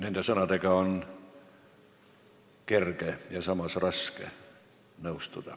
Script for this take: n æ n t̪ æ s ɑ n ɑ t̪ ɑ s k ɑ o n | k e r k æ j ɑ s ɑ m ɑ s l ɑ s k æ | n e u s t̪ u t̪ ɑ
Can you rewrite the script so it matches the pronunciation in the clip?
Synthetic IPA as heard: n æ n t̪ æ s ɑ n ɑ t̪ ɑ k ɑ o n | k e r k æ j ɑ s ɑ m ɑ s r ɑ s k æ | n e u s t̪ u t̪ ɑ